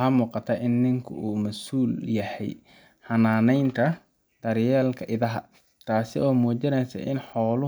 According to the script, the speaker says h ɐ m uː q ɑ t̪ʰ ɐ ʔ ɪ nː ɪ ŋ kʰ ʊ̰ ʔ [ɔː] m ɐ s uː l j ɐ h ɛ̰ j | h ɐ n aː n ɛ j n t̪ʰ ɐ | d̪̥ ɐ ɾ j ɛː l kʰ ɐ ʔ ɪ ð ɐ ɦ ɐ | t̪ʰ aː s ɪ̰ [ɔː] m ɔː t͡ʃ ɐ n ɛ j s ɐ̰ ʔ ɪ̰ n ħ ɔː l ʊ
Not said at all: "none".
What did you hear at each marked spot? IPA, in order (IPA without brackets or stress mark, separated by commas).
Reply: uː, ɔː